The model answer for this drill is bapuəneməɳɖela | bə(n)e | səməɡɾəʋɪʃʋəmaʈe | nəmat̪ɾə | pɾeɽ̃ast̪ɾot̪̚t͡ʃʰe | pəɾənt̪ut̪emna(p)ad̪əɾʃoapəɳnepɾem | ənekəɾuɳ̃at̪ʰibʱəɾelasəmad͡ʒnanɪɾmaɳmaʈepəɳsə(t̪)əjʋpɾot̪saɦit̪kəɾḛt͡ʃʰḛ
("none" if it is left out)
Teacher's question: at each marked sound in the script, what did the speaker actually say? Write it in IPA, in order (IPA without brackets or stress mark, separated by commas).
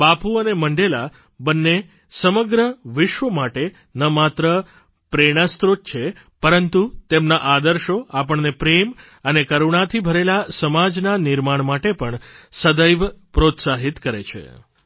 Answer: nː, ʔ, d̪